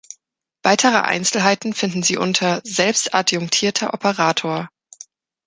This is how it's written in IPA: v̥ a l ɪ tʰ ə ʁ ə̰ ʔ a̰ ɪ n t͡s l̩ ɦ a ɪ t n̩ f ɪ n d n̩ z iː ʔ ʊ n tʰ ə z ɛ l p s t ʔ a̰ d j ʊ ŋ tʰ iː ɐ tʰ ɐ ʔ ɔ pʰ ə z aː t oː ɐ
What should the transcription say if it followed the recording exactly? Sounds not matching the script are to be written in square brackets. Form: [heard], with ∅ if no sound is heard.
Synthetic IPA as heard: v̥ a [∅] ɪ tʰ ə ʁ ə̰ ʔ a̰ ɪ n t͡s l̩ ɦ a ɪ t n̩ f ɪ n d n̩ z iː ʔ ʊ n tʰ [ɐ] z ɛ l p s t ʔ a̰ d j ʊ ŋ tʰ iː ɐ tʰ ɐ ʔ ɔ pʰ ə [ʁ] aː [tʰ] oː ɐ